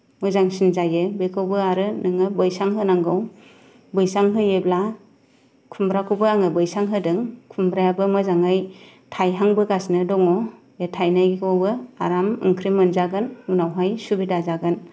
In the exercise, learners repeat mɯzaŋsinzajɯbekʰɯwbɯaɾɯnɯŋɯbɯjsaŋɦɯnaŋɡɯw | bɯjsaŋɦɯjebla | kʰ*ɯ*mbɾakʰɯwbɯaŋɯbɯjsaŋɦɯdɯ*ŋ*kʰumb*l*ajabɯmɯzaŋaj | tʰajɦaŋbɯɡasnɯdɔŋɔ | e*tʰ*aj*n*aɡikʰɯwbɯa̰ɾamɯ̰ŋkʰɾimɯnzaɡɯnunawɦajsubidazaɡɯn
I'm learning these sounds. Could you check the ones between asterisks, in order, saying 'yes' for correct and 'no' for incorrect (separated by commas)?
no, yes, no, yes, yes